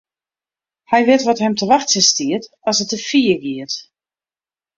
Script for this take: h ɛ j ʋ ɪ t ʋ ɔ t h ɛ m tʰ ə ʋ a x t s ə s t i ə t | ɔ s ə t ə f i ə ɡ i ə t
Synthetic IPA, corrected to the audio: h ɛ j ʋ ɪ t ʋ ɔ t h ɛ m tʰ ə ʋ a x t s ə s t i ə t | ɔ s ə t ə f i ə ɡ i ə t